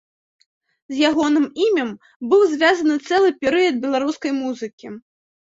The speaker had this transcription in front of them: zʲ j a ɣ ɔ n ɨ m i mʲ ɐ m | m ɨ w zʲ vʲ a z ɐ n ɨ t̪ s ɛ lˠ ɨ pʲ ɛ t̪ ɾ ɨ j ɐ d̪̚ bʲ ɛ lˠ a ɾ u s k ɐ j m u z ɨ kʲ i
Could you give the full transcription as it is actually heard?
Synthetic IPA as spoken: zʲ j a ɣ ɔ n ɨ m i mʲ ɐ m | b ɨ w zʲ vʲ a z ɐ n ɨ t̪ s ɛ lˠ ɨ pʲ ɛ ɾ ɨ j ɐ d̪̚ bʲ ɛ lˠ a ɾ u s k ɐ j m u z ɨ kʲ i